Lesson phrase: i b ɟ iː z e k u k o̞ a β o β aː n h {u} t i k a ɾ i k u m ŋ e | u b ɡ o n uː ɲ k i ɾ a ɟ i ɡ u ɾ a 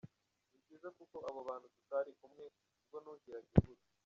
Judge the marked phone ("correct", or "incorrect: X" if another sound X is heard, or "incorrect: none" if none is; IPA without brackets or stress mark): correct